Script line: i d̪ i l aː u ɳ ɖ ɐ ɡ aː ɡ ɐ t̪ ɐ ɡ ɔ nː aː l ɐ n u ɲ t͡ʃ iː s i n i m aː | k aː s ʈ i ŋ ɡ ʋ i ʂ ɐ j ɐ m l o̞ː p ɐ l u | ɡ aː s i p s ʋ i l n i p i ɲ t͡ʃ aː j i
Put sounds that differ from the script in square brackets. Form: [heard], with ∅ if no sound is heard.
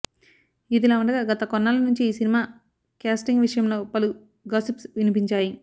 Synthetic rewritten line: i d̪ i l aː u ɳ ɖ ɐ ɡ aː ɡ ɐ t̪ ɐ [k] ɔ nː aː l ɐ n u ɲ t͡ʃ iː s i n i m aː | k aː s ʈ i ŋ ɡ ʋ i ʂ ɐ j ɐ m l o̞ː p ɐ l u | ɡ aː s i p s ʋ i [∅] n i p i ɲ t͡ʃ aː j i